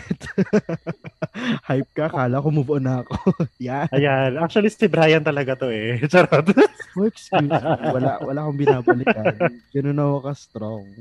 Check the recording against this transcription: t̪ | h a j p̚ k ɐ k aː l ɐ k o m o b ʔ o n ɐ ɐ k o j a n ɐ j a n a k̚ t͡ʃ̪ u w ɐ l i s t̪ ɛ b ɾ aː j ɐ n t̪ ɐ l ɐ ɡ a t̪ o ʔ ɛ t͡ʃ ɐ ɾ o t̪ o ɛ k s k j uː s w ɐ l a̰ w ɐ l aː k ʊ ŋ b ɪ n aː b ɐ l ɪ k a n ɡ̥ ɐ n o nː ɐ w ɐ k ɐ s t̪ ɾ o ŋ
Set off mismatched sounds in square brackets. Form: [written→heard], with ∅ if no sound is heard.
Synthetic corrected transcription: t̪ | h a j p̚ k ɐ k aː l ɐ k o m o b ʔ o n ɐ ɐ k o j a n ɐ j a n a k̚ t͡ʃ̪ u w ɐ l i s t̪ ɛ b ɾ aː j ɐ n t̪ ɐ l ɐ ɡ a t̪ o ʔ ɛ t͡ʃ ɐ ɾ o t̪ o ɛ k s k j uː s w ɐ l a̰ w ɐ l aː k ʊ ŋ b ɪ n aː b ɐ l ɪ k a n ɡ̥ ɐ n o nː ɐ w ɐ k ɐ s t̪ ɾ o ŋ